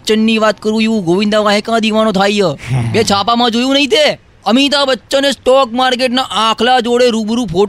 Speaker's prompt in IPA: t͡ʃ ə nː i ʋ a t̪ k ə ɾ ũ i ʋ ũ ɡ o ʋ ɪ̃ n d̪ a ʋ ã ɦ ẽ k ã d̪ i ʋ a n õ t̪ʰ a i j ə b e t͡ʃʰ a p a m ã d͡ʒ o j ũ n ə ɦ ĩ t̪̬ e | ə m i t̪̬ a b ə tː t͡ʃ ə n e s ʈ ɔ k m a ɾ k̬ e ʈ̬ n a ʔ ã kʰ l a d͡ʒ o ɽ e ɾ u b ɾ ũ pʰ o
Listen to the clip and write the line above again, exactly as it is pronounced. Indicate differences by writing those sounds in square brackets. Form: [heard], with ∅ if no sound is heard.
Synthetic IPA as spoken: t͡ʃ ə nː i ʋ a t̪ k ə ɾ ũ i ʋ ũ ɡ o ʋ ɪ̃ n d̪ a ʋ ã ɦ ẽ k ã d̪ i ʋ a n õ t̪ʰ a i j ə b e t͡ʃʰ a p a m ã d͡ʒ o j ũ n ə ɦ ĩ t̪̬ e | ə m i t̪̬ a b ə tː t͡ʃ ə n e s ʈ ɔ k m a ɾ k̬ e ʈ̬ n a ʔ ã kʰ l a d͡ʒ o ɽ e ɾ u b ɾ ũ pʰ o